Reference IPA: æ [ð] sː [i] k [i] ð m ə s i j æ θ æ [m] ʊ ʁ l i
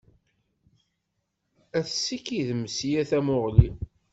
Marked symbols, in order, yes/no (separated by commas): no, yes, yes, yes